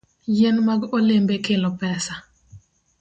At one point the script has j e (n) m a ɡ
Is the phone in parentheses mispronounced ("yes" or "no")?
no